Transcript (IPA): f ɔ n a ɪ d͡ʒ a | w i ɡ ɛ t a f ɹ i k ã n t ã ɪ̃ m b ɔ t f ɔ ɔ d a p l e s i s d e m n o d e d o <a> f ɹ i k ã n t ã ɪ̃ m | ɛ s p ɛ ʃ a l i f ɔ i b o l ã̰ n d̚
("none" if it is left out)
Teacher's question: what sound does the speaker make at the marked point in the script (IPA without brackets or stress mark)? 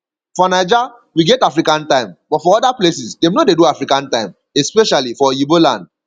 a